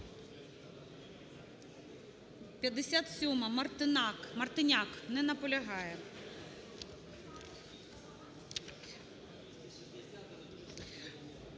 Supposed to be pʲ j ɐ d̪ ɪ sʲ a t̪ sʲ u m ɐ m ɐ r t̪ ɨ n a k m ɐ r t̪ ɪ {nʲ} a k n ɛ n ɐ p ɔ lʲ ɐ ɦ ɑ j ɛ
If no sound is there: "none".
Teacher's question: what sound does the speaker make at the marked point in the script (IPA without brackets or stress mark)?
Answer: nʲ